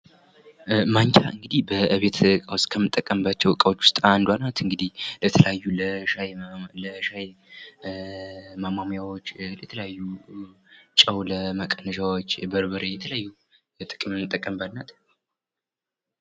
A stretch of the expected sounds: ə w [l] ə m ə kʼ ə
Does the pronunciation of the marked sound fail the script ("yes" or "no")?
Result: no